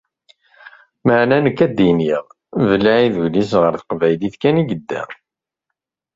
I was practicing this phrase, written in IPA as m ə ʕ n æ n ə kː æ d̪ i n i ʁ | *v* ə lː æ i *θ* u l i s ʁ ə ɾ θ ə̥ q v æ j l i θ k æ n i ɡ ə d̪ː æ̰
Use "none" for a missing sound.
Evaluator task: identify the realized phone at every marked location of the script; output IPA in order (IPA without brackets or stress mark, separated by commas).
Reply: v, ð